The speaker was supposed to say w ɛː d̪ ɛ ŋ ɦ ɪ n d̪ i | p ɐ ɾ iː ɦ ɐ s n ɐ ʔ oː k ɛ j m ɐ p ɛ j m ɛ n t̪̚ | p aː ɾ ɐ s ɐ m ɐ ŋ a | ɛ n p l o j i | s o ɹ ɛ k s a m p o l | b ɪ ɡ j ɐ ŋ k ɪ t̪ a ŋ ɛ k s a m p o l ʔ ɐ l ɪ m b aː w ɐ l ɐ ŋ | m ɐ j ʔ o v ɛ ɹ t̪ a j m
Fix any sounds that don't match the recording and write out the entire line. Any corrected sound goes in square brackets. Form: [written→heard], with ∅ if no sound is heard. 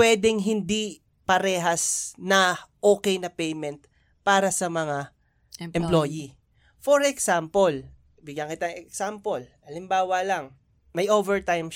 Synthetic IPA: w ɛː d̪ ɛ ŋ ɦ ɪ n d̪ i | p ɐ ɾ [iː→ɛː] ɦ ɐ s n ɐ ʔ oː k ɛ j [m→n] ɐ p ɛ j m ɛ n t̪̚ | p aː ɾ ɐ s ɐ m ɐ ŋ a | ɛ [n→m] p l o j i | [s→f] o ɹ ɛ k s a m p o l | b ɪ ɡ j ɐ ŋ k ɪ t̪ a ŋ ɛ k s a m p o l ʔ ɐ l ɪ m b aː w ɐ l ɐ ŋ | m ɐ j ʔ o v ɛ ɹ t̪ a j m